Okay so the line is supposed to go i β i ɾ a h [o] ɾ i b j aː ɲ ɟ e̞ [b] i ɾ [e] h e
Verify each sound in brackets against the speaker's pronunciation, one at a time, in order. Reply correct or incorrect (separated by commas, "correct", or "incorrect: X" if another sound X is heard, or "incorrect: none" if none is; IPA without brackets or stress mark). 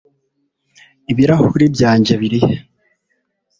incorrect: u, incorrect: β, incorrect: i